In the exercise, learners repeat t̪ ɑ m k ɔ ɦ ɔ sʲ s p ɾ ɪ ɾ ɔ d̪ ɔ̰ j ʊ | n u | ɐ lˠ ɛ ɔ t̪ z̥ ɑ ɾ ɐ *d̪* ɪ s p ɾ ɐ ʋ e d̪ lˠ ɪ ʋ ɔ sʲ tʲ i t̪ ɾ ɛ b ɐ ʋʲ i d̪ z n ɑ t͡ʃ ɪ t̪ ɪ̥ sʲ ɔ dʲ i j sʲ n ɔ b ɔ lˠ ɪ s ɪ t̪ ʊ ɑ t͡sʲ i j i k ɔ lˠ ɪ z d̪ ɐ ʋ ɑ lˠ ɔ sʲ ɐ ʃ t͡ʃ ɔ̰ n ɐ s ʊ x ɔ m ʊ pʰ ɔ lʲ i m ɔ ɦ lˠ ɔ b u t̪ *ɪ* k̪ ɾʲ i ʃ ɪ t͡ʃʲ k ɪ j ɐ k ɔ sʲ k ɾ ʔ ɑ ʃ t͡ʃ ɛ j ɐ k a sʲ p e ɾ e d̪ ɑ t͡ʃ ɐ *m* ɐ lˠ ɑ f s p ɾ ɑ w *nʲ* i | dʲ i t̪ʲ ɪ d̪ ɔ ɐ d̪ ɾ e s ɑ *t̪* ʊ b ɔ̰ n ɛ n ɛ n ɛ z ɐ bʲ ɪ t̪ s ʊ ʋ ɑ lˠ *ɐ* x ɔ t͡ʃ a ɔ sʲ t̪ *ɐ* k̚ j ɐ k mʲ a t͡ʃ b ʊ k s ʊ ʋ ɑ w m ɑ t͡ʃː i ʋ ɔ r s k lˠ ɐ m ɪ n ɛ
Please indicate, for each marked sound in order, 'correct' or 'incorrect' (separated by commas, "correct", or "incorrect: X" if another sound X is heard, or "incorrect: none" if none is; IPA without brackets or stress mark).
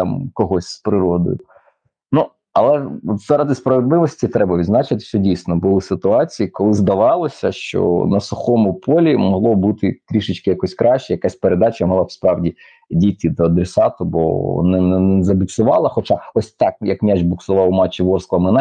correct, correct, correct, incorrect: dʲ, correct, correct, incorrect: ɑ